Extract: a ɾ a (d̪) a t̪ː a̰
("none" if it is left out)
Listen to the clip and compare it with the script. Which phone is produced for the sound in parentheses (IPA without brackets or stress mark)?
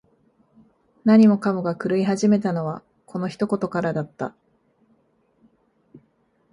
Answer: d̪